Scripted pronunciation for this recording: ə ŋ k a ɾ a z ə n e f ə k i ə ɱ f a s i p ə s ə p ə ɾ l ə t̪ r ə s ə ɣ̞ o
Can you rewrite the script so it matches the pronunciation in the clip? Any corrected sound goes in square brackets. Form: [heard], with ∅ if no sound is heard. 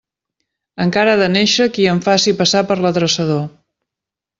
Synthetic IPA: ə ŋ k a ɾ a [ð] ə n e [ʃ] ə k i ə ɱ f a s i p ə s [a] p ə ɾ l ə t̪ [ɾ] ə s ə [ð̞] o